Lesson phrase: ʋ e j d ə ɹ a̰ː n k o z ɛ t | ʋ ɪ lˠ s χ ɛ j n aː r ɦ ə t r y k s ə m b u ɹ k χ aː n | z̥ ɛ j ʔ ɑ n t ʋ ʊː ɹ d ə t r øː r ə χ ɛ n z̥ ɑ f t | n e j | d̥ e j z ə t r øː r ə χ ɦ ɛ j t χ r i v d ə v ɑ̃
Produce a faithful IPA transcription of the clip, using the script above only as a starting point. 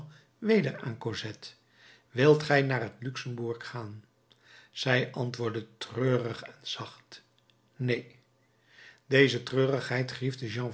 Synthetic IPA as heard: ʋ e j d ə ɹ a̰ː n k o z ɛ t | ʋ ɪ lˠ t χ ɛ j n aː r ɦ ə t l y k s ə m b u ɹ k χ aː n | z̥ ɛ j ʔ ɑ n t ʋ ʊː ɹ d ə t r øː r ə χ ɛ n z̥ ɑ χ t | n e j | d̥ e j z ə t r øː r ə χ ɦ ɛ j t χ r i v d ə ʒ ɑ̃